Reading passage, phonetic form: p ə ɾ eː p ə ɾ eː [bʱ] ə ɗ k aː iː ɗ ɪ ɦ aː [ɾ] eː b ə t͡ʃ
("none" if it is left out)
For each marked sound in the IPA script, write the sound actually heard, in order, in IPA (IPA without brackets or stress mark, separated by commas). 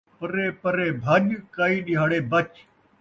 bʱ, ɽ